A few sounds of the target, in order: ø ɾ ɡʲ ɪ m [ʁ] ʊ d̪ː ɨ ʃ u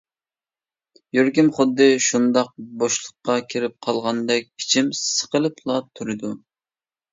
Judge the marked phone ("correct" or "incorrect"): incorrect